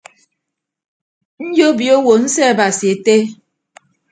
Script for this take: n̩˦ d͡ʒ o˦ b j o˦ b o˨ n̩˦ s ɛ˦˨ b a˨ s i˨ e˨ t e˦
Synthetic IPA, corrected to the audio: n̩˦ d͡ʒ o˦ b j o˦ w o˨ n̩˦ s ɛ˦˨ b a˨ s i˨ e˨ t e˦